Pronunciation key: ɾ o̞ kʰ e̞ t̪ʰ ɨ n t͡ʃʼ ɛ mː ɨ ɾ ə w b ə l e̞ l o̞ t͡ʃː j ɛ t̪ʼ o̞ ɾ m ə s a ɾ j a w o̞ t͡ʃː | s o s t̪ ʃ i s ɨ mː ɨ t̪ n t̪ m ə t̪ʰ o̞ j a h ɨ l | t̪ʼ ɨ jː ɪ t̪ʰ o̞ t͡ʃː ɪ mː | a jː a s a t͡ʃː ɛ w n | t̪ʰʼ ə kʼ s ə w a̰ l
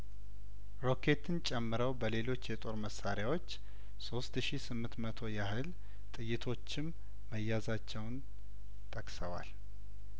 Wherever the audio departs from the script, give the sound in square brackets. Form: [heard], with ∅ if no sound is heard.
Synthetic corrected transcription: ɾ o̞ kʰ e̞ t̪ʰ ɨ n t͡ʃʼ ɛ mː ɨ ɾ ə w b ə l e̞ l o̞ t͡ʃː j ɛ t̪ʼ o̞ ɾ m ə s a ɾ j a w o̞ t͡ʃː | s o s t̪ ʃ i s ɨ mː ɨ [∅] n t̪ m ə t̪ʰ o̞ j a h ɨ l | t̪ʼ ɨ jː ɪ t̪ʰ o̞ t͡ʃː ɪ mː | [ə] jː a [z] a t͡ʃː ɛ w n | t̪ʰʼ ə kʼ s ə w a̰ l